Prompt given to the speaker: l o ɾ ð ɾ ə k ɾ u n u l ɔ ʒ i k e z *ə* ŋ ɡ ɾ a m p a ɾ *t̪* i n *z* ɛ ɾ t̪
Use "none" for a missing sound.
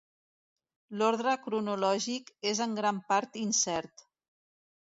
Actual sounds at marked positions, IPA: ə, t̪, s

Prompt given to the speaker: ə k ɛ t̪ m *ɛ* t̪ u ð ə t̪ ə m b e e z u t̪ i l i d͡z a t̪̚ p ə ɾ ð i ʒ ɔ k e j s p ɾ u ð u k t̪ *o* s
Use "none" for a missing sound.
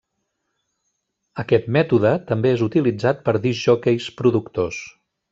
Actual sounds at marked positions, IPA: ɛ, o

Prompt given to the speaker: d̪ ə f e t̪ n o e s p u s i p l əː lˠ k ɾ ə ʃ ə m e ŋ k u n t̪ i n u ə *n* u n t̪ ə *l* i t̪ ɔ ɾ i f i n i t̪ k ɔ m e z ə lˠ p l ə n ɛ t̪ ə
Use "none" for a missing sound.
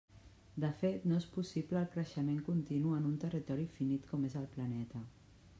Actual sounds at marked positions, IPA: n, r

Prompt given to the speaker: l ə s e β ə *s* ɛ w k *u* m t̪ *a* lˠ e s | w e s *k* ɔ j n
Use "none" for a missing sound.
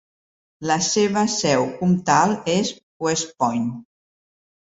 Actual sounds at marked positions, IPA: s, u, a, p

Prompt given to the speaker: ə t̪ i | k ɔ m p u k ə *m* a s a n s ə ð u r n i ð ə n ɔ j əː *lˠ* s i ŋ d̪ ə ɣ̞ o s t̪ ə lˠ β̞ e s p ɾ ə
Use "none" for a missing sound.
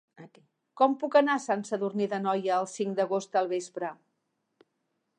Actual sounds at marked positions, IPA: n, lˠ

